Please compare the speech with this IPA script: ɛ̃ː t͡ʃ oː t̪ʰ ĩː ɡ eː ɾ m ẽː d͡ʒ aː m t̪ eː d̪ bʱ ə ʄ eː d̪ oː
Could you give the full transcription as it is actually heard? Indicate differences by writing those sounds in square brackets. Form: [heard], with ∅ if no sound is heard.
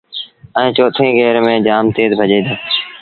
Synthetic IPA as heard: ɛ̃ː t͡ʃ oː t̪ʰ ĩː ɡ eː ɾ m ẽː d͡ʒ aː m t̪ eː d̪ bʱ ə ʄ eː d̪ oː